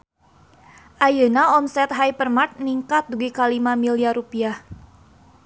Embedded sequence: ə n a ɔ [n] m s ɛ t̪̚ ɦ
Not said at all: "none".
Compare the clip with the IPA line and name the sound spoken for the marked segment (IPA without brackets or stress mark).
none